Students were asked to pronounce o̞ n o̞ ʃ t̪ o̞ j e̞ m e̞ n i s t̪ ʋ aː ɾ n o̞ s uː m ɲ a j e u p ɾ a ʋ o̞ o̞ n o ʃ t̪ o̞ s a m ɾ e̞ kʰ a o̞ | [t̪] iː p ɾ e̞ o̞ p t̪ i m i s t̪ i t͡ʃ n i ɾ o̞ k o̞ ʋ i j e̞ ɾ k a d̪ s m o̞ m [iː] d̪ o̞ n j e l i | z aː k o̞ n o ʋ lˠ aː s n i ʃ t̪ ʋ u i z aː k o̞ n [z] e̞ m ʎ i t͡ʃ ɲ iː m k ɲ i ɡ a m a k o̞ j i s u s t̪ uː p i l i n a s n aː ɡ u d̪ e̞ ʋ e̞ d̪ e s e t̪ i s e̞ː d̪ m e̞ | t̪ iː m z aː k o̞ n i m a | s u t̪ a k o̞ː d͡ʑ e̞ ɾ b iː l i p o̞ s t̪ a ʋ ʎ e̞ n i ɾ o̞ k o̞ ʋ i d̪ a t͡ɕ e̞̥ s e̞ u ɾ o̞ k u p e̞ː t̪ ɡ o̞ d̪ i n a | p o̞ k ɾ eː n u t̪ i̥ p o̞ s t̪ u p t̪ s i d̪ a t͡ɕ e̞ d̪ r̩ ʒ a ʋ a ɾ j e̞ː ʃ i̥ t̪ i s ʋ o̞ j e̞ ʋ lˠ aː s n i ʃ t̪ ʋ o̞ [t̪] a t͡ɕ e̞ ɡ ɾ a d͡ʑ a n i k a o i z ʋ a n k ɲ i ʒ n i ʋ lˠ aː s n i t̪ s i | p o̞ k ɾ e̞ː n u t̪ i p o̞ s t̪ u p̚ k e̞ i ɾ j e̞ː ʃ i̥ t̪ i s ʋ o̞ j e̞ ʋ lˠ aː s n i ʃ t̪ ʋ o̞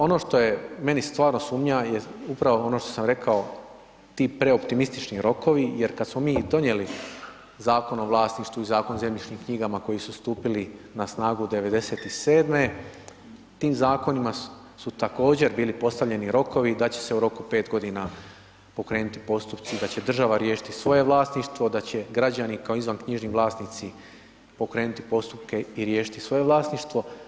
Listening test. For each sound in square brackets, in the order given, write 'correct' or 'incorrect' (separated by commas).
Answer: correct, correct, correct, incorrect